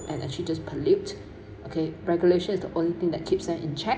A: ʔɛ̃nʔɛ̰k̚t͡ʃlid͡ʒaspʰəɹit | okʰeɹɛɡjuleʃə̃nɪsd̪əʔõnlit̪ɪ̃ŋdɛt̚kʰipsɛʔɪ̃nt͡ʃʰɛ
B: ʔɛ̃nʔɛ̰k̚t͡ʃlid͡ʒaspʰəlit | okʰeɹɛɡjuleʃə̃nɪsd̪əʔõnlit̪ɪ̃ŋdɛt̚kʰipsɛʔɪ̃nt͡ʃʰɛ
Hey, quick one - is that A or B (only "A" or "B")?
B